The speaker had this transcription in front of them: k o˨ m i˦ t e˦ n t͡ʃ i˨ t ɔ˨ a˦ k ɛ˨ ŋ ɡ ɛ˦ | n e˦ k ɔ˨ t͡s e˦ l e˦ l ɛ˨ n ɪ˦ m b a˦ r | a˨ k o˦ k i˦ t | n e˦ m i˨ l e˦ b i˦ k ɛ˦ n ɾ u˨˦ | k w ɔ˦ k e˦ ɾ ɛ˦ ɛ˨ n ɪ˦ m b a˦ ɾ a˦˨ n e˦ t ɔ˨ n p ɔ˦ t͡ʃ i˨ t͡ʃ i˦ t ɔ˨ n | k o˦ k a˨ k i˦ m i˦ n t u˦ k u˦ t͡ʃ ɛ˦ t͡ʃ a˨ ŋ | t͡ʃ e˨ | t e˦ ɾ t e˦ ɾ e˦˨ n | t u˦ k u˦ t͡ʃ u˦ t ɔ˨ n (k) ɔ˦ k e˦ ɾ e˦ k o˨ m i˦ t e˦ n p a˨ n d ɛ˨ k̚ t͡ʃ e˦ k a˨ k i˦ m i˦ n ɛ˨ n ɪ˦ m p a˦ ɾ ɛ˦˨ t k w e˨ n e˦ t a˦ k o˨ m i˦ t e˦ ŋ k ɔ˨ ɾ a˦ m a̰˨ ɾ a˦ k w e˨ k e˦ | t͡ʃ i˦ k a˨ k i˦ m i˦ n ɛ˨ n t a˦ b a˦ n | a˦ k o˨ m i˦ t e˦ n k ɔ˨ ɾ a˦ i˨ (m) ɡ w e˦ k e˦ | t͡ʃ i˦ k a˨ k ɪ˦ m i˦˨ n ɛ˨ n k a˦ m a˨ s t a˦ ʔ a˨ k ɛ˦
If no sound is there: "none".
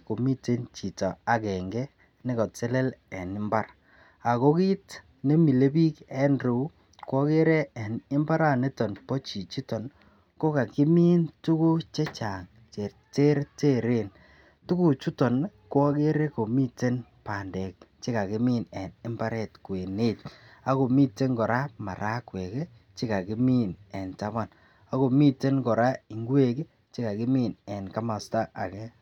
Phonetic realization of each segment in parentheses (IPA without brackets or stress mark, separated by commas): k, ŋ